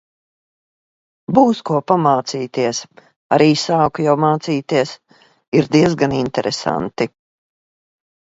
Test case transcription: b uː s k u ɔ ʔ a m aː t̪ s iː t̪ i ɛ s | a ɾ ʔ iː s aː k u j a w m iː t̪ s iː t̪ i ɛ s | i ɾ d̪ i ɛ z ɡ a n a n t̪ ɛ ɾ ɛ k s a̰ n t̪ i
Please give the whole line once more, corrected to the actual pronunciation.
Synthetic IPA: b uː s k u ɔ p a m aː t̪ s iː t̪ i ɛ s | a ɾ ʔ iː s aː k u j a w m aː t̪ s iː t̪ i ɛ s | i ɾ d̪ i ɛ z ɡ a n i n t̪ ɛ ɾ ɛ s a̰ n t̪ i